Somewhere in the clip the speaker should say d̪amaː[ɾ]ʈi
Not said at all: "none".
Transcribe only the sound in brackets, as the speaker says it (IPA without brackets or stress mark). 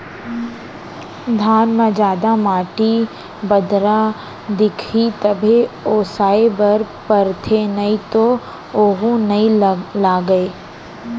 none